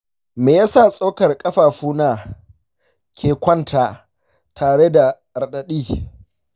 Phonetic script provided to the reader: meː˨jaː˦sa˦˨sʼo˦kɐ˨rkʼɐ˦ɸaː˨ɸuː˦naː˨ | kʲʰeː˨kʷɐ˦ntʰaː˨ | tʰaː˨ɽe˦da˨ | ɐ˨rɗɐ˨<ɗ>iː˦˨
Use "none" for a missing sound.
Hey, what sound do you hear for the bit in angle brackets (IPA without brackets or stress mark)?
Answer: ɗ